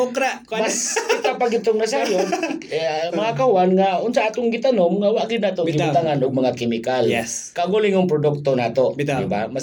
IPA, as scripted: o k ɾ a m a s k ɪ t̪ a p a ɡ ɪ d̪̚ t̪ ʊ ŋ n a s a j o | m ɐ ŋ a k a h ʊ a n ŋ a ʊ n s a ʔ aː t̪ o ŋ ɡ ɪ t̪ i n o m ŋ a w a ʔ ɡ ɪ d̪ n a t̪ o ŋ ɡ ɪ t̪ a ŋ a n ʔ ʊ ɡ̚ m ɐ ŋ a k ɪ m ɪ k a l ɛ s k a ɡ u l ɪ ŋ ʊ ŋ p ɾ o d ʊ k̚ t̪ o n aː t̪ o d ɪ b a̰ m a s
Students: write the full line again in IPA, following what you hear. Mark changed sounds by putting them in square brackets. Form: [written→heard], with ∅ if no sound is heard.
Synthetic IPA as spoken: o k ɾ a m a s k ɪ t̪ a p a ɡ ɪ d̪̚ t̪ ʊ ŋ n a s a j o | m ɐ ŋ a k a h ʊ a n ŋ a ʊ n s a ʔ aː t̪ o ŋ ɡ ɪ t̪ [i→a] n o m ŋ a w a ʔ ɡ ɪ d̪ n a t̪ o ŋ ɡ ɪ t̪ a ŋ a n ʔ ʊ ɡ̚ m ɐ ŋ a k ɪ m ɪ k a l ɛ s k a ɡ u l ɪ ŋ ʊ ŋ p ɾ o d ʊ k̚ t̪ o n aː t̪ o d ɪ b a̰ m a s